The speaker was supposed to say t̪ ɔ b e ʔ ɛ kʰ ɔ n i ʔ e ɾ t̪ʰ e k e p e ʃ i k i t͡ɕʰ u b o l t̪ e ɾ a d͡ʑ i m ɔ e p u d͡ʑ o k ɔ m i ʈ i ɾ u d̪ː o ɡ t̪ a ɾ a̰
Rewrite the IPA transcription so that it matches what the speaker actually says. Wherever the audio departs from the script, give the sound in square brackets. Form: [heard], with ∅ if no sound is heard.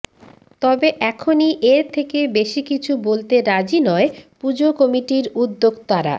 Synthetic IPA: t̪ ɔ b e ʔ ɛ kʰ [o] n i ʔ e ɾ t̪ʰ e k e [b] e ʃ i k i t͡ɕʰ u b o l t̪ e ɾ a d͡ʑ i [n] ɔ e p u d͡ʑ o k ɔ m i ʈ i ɾ u d̪ː o ɡ t̪ a ɾ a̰